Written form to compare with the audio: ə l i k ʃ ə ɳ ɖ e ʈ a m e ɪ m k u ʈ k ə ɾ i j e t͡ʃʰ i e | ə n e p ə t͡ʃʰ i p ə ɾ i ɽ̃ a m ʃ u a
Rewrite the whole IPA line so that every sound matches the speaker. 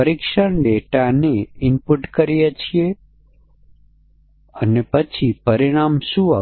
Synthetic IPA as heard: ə ɾ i k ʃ ə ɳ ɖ e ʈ a n e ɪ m p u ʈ k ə ɾ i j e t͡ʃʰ i e | ə n e p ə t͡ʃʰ i p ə ɾ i ɽ̃ a m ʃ u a